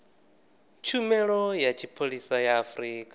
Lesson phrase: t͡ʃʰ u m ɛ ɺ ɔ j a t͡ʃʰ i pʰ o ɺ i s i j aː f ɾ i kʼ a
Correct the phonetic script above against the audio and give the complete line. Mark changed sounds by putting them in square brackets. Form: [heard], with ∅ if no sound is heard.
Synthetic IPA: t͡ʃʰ u m ɛ ɺ ɔ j a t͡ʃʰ i pʰ o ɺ i s [a] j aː f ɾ [iː] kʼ a